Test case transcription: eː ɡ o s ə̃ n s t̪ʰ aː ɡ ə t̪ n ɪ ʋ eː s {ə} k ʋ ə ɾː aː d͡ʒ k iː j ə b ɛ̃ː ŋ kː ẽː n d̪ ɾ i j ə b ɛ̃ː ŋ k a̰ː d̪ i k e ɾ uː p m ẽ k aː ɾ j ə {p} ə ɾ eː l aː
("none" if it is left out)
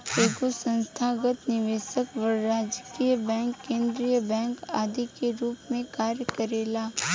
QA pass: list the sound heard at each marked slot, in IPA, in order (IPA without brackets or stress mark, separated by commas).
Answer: ə, k